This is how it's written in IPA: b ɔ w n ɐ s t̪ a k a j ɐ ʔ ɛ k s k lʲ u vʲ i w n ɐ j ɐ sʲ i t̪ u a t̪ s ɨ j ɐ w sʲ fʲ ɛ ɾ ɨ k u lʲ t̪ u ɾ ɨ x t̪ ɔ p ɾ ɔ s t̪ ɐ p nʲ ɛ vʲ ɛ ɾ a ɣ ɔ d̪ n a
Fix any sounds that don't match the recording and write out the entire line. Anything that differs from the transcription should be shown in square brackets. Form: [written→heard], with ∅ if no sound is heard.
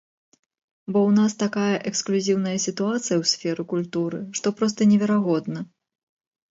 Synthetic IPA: b ɔ w n [ɐ→a] s t̪ a k a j ɐ ʔ ɛ k s k lʲ u [vʲ→zʲ] i w n ɐ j ɐ sʲ i t̪ u a t̪ s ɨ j ɐ w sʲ fʲ ɛ ɾ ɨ k u lʲ t̪ u ɾ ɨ [x→ʂ] t̪ ɔ p ɾ ɔ s t̪ ɐ [p→∅] nʲ ɛ vʲ ɛ ɾ a ɣ ɔ d̪ n [a→ɐ]

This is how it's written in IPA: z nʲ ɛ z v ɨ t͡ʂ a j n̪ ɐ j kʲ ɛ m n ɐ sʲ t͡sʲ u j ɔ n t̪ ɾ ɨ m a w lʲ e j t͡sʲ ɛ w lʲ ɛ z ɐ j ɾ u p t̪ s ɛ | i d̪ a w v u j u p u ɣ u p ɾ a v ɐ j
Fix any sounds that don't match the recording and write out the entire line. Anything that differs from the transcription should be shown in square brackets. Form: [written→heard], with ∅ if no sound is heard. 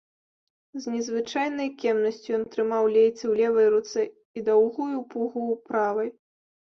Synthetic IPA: z nʲ ɛ z v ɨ t͡ʂ a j n̪ ɐ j kʲ ɛ m n ɐ sʲ t͡sʲ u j ɔ n t̪ ɾ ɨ m a w lʲ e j t͡sʲ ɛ w lʲ ɛ [z→v] ɐ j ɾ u [p→∅] t̪ s ɛ | i d̪ a w [v→ɣ] u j u p u ɣ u p ɾ a v ɐ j

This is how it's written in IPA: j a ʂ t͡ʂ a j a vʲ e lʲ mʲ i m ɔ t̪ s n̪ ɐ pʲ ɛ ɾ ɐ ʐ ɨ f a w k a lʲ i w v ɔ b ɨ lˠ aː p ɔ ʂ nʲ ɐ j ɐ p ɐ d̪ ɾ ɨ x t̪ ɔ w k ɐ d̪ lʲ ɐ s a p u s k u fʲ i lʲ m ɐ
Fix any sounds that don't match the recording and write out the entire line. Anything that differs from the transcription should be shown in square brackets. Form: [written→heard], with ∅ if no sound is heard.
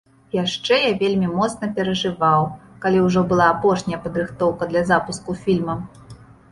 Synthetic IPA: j a ʂ t͡ʂ [a→ɛ] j a vʲ e lʲ mʲ i m ɔ t̪ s n̪ ɐ pʲ ɛ ɾ ɐ ʐ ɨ [f→v] a w k a lʲ i w [v→ʐ] ɔ b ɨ lˠ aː p ɔ ʂ nʲ ɐ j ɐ p ɐ d̪ ɾ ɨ x t̪ ɔ w k ɐ d̪ lʲ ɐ [s→z] a p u s k u fʲ i lʲ m ɐ

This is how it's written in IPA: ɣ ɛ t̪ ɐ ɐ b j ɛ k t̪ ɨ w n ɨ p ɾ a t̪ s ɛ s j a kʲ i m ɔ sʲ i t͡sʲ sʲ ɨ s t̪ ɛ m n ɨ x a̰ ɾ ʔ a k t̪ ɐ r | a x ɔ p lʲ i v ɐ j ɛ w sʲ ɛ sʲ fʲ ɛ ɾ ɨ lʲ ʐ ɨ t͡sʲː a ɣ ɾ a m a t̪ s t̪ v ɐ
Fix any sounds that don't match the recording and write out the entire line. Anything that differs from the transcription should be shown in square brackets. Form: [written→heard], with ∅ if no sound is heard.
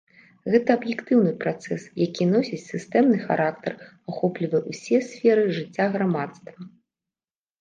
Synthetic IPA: ɣ ɛ t̪ ɐ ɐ b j ɛ k t̪ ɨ w n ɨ p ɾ a t̪ s ɛ s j a kʲ i [m→n] ɔ sʲ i t͡sʲ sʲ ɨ s t̪ ɛ m n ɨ x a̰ ɾ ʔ a k t̪ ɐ r | a x ɔ p lʲ i v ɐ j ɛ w sʲ ɛ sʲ fʲ ɛ ɾ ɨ [lʲ→∅] ʐ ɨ t͡sʲː a ɣ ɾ a m a t̪ s t̪ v ɐ

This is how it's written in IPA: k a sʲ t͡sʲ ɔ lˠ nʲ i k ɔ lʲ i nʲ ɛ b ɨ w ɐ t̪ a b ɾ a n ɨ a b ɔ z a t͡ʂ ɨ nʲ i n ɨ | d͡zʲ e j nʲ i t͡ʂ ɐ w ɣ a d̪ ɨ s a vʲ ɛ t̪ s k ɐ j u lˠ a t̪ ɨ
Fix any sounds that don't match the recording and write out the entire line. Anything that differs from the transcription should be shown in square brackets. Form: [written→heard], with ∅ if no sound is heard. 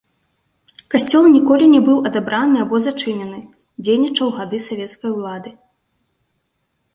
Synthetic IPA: k a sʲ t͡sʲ ɔ lˠ nʲ i k ɔ lʲ i nʲ ɛ b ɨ w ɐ [t̪→d̪] a b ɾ a n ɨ a b ɔ z a t͡ʂ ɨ nʲ [i→ɛ] n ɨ | d͡zʲ e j nʲ i t͡ʂ ɐ w ɣ a d̪ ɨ s a vʲ ɛ t̪ s k ɐ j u lˠ a [t̪→d̪] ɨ

